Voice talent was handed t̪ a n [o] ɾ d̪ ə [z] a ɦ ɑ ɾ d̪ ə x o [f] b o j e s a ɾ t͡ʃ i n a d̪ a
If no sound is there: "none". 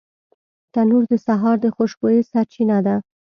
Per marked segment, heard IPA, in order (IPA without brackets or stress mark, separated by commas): u, s, ʃ